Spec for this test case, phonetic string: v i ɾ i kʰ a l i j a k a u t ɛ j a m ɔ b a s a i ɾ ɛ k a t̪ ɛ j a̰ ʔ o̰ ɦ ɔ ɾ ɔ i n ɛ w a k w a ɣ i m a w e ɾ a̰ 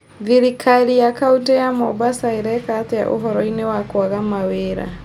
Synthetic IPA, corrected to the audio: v i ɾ i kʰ a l i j a k a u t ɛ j a m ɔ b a s a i ɾ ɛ k a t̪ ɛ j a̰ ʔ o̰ ɦ ɔ ɾ ɔ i n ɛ w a k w a ɣ a m a w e ɾ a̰

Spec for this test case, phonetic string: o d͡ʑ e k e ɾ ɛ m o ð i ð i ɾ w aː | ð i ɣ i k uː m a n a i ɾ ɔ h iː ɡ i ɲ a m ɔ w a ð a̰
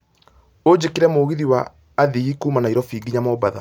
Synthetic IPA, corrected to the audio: o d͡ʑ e k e ɾ ɛ m o ɣ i ð i w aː | ð i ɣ i k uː m a n a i ɾ ɔ f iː ɡ i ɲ a m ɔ b a ð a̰

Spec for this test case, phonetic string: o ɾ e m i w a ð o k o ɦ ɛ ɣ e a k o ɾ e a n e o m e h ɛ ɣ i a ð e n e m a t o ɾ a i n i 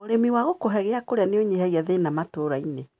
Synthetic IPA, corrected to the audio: o ɾ e m i w a ɣ o k o ɦ ɛ ɣ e a k o ɾ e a n e o ɲ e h ɛ ɣ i a ð e n a m a t o ɾ a i n e

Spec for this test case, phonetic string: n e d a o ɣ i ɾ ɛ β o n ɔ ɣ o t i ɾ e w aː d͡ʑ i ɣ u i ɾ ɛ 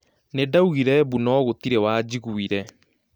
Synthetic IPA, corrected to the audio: n e d a u ɣ i ɾ ɛ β u n ɔ ɣ o t i ɾ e w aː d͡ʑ i ɣ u i ɾ ɛ

